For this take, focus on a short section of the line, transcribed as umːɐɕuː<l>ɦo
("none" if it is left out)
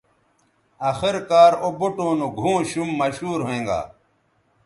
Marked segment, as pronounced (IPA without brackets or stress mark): ɾ